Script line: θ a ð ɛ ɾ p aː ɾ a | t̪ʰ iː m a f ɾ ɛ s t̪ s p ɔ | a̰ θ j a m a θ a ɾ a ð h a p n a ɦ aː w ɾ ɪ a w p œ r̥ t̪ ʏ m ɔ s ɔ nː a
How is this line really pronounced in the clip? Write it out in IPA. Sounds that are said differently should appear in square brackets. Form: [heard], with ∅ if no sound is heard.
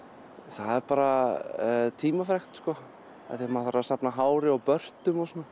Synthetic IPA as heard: θ a ð ɛ ɾ p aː ɾ a | t̪ʰ iː m a f ɾ ɛ [x] t̪ s [k] ɔ | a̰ θ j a m a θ a ɾ a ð [s] a p n a ɦ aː w ɾ ɪ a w p œ r̥ t̪ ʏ m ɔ s ɔ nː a